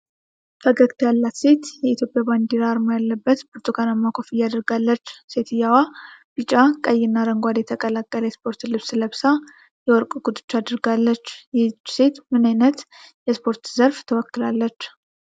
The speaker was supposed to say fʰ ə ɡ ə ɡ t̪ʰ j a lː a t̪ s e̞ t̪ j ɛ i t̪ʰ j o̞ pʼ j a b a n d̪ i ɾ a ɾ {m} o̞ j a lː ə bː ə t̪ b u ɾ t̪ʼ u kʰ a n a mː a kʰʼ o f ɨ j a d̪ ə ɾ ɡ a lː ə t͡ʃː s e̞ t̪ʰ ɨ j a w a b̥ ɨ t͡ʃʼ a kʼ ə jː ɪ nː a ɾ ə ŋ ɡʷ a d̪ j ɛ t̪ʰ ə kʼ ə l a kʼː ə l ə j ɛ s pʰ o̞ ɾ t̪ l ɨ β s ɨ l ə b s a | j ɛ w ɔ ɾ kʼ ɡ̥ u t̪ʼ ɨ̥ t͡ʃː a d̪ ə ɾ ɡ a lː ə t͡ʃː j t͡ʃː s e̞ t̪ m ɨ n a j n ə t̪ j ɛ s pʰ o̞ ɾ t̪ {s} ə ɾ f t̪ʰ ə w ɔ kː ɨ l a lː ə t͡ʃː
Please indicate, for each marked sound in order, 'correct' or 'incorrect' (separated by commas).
correct, incorrect